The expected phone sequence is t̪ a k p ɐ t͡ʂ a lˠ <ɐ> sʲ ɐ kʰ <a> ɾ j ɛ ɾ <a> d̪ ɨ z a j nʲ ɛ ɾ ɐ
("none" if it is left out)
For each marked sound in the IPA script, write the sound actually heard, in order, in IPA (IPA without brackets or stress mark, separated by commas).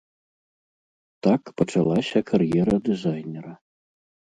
a, a, ɐ